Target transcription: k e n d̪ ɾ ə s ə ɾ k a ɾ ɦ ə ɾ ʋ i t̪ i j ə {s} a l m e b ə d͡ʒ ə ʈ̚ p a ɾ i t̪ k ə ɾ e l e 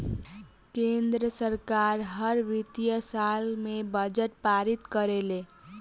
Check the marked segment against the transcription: correct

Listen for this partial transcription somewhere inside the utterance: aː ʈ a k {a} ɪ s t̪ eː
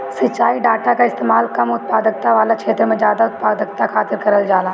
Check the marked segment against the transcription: correct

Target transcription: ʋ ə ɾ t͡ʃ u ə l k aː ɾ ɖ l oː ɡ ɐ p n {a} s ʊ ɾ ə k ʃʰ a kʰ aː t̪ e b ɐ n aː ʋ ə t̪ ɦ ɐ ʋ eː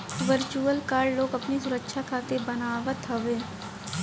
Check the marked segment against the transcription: incorrect: i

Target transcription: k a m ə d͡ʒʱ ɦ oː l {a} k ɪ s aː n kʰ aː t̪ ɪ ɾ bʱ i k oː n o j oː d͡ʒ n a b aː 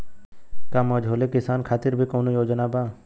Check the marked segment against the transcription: incorrect: e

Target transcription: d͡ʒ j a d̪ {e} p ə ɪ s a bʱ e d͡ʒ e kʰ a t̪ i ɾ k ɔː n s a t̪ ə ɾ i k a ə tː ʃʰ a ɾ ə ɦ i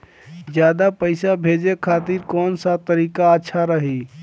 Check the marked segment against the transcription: incorrect: a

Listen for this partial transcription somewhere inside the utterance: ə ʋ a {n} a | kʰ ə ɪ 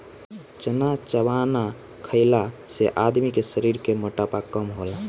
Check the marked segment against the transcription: correct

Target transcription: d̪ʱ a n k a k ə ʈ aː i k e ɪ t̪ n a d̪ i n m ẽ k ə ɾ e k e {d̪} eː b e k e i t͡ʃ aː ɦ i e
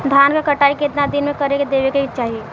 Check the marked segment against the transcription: correct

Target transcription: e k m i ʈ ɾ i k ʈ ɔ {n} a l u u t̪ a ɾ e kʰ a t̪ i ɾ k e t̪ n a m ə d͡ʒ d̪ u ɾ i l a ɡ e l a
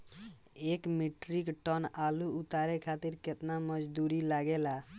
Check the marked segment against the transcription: correct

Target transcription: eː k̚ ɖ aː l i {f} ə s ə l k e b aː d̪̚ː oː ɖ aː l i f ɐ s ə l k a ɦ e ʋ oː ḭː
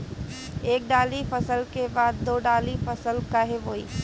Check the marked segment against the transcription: correct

